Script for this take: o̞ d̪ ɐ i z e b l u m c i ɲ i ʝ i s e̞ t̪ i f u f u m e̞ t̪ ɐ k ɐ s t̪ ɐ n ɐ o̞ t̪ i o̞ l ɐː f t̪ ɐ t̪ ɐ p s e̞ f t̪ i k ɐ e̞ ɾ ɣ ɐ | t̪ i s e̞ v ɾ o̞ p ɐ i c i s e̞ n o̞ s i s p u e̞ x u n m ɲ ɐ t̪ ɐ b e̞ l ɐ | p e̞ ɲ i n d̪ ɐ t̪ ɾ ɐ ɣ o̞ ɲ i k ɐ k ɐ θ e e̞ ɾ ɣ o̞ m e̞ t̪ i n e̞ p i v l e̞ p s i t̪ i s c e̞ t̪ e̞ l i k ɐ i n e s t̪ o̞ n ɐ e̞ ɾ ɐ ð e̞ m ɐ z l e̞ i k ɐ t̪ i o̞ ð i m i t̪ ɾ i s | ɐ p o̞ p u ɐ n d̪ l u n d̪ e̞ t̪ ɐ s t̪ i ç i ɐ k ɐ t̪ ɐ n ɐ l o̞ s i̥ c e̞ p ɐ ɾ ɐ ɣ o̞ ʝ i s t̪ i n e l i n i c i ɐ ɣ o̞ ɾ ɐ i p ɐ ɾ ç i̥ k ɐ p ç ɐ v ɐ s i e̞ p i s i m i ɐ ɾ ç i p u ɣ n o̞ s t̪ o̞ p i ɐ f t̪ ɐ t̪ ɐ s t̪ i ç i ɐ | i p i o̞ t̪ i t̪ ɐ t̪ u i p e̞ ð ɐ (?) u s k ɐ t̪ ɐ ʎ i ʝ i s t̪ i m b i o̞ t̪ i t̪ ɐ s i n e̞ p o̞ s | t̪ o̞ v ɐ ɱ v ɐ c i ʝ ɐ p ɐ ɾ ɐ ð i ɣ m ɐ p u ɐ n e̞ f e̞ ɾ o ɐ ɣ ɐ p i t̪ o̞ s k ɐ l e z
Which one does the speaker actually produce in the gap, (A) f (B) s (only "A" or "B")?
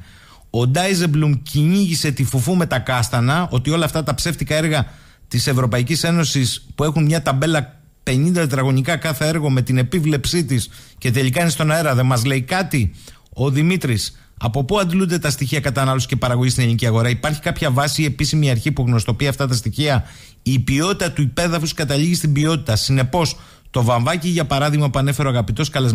A